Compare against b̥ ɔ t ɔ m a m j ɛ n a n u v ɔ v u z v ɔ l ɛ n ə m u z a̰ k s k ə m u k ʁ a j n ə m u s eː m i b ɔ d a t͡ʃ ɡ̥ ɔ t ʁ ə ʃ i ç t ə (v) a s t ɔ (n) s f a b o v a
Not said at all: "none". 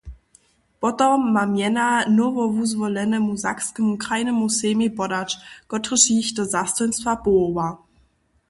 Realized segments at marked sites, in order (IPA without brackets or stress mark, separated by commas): z, n